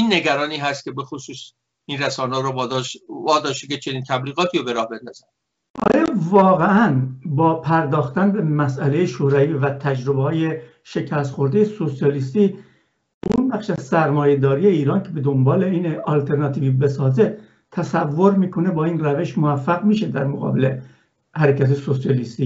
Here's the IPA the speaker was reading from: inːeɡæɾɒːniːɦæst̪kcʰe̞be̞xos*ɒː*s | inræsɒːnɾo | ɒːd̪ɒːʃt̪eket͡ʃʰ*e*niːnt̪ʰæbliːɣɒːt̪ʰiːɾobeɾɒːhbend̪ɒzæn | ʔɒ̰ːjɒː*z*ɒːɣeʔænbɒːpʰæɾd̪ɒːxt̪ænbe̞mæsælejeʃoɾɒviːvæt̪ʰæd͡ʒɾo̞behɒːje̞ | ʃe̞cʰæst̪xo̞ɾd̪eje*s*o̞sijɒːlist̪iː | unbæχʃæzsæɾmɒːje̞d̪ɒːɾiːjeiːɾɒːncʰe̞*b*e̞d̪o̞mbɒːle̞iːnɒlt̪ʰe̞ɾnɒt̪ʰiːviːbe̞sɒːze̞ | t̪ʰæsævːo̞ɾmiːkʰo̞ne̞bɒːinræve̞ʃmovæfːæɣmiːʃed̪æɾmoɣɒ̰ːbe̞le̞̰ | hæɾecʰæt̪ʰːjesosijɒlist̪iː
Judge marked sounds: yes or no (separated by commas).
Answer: no, yes, no, yes, yes